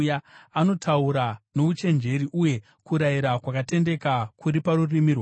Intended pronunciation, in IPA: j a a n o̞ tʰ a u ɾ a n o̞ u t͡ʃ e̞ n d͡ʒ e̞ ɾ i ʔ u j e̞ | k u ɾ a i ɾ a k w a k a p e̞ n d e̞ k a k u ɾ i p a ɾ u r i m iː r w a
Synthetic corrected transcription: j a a n o̞ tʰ a u ɾ a n o̞ u t͡ʃ e̞ n d͡ʒ e̞ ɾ i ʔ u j e̞ | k u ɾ a i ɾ a k w a k a t e̞ n d e̞ k a k u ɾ i p a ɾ u r i m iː r w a